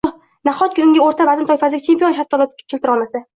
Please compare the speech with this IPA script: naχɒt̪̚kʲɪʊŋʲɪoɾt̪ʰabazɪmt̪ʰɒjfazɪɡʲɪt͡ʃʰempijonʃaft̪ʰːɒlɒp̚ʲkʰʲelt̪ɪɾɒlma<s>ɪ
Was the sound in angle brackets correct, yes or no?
yes